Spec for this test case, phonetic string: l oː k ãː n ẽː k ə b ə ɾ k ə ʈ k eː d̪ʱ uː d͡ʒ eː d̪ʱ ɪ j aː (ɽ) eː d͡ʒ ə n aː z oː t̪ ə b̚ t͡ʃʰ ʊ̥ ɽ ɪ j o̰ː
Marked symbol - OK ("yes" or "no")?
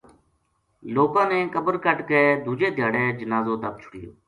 yes